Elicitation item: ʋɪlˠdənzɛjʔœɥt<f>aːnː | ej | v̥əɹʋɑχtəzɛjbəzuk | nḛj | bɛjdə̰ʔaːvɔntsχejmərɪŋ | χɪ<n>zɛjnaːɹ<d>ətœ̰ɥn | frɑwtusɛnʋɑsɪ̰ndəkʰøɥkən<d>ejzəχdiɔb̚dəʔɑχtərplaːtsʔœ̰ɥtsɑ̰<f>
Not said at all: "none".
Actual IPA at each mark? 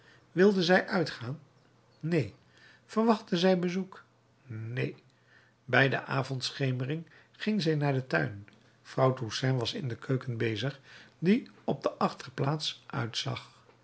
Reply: χ, ŋ, d, b, χ

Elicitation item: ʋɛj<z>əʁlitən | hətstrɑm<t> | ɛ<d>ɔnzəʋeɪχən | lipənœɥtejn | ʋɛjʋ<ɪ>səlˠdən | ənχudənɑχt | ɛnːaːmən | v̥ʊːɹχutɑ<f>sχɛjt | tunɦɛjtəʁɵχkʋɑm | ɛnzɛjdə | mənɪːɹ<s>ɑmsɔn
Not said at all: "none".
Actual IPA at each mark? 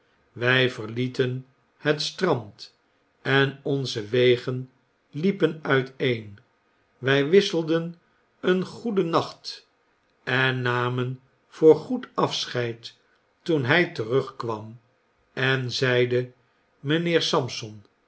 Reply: v, t, n, ɪ, f, s

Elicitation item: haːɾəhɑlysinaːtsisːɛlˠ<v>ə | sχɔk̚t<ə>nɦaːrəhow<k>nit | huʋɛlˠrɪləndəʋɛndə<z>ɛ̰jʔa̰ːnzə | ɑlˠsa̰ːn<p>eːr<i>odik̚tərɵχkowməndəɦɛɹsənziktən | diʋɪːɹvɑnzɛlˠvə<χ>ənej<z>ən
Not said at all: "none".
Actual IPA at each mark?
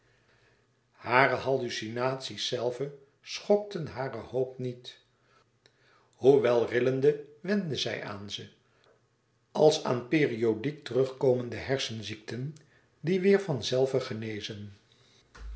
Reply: v, ə, p, z, p, i, χ, z

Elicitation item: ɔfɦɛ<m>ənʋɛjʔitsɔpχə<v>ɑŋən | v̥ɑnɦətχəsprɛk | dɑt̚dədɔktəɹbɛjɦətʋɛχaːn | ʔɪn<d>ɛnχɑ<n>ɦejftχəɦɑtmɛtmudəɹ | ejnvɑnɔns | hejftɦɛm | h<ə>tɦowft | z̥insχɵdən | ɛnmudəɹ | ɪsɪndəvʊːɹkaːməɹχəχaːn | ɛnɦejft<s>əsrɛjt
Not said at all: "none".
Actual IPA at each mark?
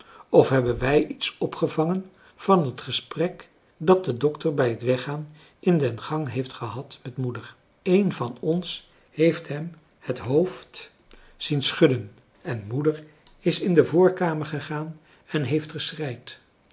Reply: b, v, d, ŋ, ə, χ

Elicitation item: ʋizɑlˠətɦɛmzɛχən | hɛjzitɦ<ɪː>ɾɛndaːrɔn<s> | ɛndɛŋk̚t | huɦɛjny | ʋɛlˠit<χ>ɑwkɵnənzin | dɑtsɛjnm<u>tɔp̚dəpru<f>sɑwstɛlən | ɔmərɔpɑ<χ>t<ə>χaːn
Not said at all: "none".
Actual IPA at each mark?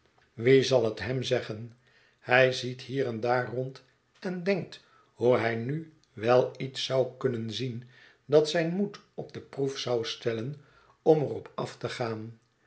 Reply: iː, t, s, u, f, f, ə

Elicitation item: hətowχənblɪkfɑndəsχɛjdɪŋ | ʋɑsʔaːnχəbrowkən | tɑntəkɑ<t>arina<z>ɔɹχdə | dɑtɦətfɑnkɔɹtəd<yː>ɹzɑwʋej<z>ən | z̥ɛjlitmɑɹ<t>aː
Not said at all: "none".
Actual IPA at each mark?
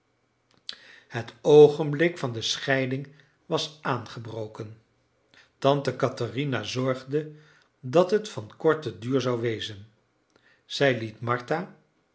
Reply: t, z, yː, z, t

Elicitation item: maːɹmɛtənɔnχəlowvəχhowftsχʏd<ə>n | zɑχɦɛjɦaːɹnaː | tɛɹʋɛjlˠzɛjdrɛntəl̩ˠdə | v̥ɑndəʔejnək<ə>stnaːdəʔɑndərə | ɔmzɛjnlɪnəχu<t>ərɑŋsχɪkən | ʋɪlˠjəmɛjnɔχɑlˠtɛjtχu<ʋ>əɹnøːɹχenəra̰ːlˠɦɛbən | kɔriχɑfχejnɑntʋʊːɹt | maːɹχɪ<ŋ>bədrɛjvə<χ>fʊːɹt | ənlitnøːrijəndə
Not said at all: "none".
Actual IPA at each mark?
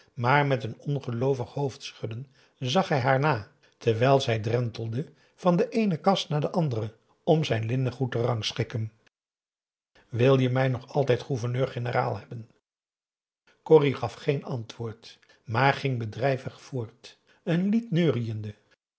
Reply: ə, ɑ, t, v, ŋ, χ

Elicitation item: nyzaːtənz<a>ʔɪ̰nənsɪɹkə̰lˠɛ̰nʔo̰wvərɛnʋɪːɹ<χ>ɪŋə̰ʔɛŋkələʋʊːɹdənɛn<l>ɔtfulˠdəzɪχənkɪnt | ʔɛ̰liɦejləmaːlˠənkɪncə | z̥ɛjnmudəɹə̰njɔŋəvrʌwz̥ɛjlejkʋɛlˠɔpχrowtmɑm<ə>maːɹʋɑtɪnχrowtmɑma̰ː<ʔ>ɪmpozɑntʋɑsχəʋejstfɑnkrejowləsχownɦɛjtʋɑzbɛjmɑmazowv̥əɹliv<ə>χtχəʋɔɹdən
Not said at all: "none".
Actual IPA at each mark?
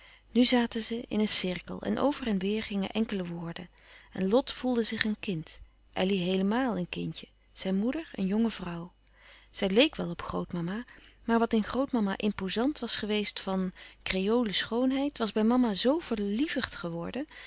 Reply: ə, χ, l, a, ʔ, ə

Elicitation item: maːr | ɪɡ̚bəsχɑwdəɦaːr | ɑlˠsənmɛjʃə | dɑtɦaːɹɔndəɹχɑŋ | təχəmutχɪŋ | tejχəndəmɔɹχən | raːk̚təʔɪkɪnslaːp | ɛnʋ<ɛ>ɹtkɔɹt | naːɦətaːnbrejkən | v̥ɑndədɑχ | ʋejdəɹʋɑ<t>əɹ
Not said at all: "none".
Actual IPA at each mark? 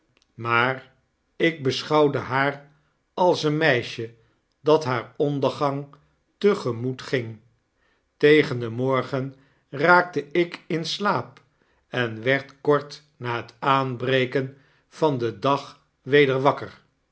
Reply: ɛ, k

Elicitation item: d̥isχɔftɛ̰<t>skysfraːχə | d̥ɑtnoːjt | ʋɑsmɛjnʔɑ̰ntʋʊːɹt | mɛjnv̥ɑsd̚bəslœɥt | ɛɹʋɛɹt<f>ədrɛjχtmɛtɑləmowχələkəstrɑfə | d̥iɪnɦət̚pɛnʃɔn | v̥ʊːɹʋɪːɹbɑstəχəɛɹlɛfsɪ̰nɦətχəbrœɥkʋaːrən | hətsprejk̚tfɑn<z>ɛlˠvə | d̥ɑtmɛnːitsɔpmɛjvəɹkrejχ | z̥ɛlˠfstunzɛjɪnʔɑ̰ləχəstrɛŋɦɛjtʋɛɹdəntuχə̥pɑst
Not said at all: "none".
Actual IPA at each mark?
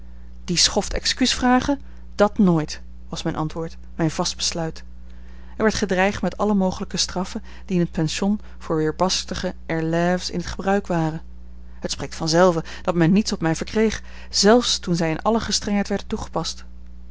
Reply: k, χ, z

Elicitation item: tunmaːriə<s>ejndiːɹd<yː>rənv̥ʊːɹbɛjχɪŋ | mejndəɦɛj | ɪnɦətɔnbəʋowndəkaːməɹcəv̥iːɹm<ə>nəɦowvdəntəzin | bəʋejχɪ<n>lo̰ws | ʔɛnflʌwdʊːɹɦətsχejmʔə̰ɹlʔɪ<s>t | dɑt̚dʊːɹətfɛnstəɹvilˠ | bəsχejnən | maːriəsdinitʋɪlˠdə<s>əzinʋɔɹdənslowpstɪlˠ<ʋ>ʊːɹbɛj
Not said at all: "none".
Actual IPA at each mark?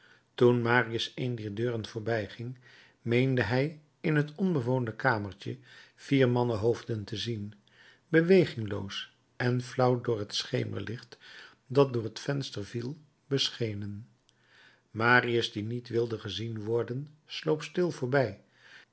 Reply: s, øː, ɑ, ŋ, χ, χ, v

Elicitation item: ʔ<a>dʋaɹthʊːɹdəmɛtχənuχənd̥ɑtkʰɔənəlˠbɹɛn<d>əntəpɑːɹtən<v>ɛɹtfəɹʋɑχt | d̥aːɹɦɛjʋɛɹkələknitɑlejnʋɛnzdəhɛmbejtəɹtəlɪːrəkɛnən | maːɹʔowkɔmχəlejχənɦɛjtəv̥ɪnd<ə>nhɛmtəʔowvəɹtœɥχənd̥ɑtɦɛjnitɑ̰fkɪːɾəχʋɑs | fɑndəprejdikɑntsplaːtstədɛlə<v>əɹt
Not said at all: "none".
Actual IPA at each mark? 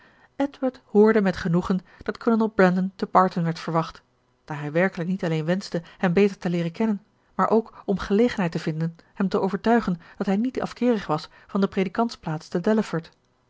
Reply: ɛ, d, ʋ, ə, f

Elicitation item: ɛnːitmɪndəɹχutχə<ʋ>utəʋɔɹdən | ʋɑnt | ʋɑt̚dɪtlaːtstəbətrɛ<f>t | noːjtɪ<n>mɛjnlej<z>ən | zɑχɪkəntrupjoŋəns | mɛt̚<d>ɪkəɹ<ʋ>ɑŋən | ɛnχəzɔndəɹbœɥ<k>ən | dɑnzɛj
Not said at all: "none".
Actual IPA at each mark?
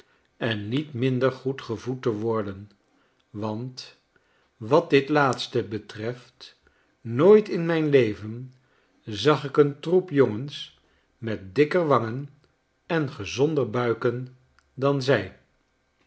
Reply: v, f, n, v, d, ʋ, k

